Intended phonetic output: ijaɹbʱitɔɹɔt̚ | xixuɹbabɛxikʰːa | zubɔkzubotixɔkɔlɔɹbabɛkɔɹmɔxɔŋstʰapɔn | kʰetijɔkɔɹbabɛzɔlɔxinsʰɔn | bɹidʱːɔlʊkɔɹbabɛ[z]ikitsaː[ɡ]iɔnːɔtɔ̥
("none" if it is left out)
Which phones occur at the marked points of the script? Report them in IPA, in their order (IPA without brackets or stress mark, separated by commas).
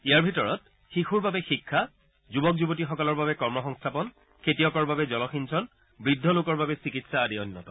s, d